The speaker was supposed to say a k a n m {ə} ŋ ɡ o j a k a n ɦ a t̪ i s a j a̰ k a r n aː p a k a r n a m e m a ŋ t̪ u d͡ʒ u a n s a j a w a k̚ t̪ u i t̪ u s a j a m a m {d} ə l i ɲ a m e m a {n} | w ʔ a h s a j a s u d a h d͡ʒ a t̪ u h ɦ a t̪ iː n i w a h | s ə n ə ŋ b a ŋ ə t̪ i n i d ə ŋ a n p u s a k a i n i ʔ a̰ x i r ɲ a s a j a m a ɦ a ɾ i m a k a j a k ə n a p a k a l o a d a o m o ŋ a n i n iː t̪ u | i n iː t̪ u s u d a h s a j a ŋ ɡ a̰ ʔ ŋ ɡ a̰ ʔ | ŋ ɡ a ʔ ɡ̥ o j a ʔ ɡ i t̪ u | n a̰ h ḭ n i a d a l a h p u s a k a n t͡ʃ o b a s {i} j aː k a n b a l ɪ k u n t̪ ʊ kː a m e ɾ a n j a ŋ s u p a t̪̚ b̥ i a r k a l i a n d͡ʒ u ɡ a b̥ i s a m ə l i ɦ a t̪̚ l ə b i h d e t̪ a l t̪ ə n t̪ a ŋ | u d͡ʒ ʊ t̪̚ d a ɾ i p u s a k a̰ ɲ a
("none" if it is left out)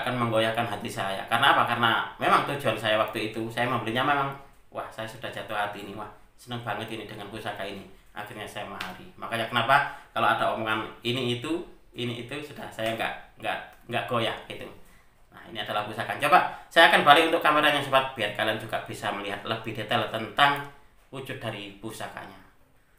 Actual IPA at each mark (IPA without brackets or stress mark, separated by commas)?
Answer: ə, b, ŋ, a